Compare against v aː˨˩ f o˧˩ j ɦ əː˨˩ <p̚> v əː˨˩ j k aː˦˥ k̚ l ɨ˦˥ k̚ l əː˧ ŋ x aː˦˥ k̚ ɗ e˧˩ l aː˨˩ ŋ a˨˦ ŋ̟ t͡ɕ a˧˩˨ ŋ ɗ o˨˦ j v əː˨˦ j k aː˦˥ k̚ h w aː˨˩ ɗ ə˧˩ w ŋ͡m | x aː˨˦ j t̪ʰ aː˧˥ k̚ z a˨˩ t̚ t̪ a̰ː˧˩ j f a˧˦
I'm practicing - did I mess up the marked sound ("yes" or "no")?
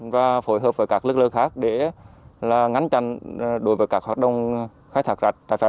no